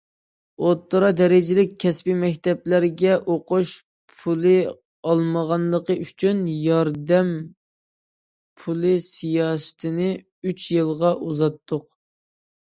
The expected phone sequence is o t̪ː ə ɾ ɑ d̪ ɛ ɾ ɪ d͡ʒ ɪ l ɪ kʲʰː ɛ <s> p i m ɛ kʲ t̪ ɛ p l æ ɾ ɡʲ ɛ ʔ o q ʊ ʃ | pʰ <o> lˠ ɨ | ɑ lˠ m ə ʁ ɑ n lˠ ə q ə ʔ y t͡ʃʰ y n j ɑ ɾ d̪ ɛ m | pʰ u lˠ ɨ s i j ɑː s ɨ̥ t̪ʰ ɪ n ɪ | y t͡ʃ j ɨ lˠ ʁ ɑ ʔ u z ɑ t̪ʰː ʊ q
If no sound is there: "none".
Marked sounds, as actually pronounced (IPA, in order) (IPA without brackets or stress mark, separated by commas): s, u